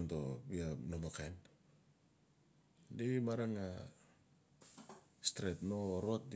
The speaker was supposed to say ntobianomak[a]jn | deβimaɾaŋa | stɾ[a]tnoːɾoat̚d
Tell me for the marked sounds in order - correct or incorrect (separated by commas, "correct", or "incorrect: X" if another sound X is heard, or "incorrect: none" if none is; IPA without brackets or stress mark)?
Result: correct, incorrect: e